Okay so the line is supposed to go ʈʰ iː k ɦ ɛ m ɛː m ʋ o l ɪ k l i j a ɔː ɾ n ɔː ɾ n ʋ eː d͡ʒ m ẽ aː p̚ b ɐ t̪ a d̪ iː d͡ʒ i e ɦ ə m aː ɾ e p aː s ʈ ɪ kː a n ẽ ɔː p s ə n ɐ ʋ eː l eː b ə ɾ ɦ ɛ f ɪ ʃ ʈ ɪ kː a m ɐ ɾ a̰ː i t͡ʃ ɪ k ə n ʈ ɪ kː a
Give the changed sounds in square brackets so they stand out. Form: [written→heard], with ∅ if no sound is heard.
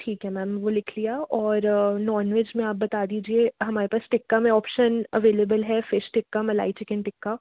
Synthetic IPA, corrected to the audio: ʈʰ iː k ɦ ɛ m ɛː m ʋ o l ɪ [k→kʰ] l i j a ɔː ɾ n ɔː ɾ n ʋ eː d͡ʒ m ẽ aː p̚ b ɐ t̪ a d̪ iː d͡ʒ i e ɦ [ə→ɐ] m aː ɾ e p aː s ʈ ɪ kː a [n→m] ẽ ɔː p [s→ʃ] ə n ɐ ʋ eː l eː b ə [ɾ→l] ɦ ɛ f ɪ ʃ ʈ ɪ kː a m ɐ [ɾ→l] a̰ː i t͡ʃ ɪ k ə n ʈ ɪ kː a